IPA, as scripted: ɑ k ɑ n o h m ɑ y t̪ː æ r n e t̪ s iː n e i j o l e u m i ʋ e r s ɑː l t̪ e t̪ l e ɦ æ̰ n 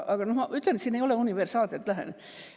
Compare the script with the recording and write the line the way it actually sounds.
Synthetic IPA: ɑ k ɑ n o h m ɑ y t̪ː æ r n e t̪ s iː n e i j o l e u n i ʋ e r s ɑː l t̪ e t̪ l æ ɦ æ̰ n